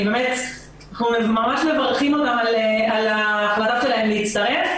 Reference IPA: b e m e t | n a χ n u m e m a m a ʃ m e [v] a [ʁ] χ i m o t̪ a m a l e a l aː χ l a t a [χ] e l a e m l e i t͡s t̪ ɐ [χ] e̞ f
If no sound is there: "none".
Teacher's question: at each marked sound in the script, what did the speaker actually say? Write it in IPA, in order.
v, ʁ, ʃ, ʁ

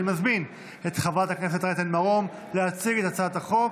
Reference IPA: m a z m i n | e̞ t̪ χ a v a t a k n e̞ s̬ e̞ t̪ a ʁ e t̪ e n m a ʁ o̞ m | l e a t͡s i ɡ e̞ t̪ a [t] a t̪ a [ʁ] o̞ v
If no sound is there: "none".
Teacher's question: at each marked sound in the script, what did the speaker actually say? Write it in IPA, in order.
t͡s, χ

